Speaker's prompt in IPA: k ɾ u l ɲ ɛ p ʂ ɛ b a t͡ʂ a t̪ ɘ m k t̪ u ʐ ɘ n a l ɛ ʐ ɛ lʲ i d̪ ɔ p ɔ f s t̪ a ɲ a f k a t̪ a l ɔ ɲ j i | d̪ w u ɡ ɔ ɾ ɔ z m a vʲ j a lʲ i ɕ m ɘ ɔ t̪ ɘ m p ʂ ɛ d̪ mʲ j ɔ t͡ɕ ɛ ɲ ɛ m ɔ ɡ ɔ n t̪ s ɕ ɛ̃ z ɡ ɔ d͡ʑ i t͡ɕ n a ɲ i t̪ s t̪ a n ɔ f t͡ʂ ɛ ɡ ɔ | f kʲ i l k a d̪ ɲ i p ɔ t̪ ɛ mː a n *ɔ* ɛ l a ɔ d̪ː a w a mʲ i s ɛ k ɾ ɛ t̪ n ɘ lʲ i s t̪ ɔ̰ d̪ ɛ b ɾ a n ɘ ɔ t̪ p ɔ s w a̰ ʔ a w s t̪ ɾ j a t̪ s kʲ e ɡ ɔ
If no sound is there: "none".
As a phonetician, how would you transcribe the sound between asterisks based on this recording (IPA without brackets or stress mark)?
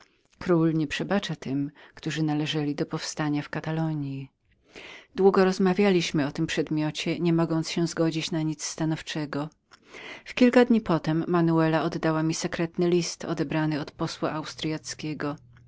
u